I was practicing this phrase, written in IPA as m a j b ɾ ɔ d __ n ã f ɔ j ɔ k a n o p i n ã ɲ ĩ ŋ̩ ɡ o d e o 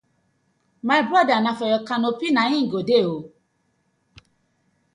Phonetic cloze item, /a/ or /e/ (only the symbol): a